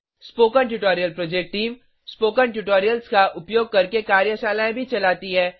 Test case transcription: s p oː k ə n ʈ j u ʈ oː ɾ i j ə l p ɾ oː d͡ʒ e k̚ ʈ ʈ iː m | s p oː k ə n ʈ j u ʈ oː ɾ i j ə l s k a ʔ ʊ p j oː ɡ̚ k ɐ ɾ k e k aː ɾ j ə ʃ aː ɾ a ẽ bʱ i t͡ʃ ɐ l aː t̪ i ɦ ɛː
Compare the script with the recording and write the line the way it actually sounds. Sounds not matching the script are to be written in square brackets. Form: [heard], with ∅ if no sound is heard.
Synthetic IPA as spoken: s p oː k ə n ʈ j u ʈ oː ɾ i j ə l p ɾ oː d͡ʒ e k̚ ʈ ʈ iː m | s p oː k ə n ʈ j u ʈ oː ɾ i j ə l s k a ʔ ʊ p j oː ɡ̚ k ɐ ɾ k e k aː ɾ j ə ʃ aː [l] a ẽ bʱ i t͡ʃ ɐ l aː t̪ i ɦ ɛː